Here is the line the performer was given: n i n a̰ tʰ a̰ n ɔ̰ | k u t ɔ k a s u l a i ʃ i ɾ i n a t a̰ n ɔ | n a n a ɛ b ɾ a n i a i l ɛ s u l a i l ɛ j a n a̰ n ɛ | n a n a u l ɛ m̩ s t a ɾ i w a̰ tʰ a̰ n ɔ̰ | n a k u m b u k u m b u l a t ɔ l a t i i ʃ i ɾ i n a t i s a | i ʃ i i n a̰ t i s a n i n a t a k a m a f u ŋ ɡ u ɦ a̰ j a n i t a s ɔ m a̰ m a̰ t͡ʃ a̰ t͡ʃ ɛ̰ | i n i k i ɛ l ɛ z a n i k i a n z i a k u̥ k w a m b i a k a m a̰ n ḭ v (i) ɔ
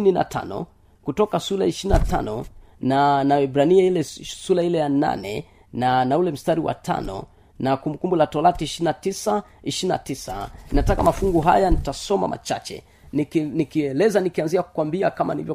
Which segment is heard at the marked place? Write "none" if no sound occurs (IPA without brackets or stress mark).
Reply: j